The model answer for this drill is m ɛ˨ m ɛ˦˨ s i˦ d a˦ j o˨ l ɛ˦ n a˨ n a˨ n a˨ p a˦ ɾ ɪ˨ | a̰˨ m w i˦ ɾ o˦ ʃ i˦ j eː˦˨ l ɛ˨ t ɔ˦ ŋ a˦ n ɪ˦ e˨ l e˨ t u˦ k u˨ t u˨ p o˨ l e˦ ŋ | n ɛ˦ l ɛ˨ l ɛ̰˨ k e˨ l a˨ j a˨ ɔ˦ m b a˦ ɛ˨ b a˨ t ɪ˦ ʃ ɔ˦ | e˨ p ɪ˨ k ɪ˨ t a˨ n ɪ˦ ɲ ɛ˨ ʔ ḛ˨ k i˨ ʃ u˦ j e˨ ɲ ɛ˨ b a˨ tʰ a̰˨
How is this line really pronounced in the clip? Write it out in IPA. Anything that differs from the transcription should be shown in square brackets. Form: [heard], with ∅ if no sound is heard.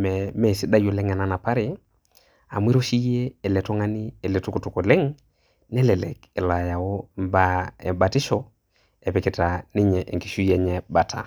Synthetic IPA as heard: m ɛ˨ m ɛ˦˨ s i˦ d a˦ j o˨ l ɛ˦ [ŋ] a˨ n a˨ n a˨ p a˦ ɾ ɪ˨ | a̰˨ m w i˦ ɾ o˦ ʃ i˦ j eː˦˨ l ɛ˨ t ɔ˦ ŋ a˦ n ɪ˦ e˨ l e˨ t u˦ k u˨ t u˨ [k] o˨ l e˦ ŋ | n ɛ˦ l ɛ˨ l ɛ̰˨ k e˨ l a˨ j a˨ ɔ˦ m b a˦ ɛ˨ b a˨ t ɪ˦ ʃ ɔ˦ | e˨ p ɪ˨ k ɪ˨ t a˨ n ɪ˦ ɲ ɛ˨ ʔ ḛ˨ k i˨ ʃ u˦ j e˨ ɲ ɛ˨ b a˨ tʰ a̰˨

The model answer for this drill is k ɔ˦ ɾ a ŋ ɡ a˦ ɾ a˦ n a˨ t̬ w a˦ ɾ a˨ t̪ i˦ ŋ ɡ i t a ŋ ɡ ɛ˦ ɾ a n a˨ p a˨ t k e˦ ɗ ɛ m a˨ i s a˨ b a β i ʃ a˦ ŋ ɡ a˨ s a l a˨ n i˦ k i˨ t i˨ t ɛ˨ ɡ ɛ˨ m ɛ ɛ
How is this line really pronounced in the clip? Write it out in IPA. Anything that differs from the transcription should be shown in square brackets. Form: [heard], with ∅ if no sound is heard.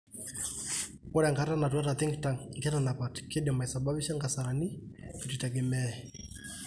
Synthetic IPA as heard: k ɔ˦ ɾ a ŋ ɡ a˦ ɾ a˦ n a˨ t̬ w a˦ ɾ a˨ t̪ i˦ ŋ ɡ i t a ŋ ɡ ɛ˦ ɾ a n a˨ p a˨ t k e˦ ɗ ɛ m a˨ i s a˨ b a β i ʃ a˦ ŋ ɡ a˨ s a [ɾ] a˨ n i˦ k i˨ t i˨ t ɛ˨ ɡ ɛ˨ m ɛ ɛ

